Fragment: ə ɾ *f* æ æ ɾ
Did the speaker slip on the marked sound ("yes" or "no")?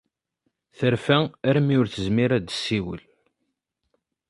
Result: no